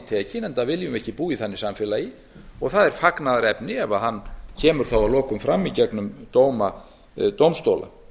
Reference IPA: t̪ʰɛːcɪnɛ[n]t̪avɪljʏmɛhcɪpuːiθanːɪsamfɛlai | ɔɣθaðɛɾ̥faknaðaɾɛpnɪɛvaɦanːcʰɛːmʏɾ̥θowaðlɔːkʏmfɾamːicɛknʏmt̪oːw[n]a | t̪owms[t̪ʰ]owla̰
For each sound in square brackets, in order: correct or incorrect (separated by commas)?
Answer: correct, incorrect, incorrect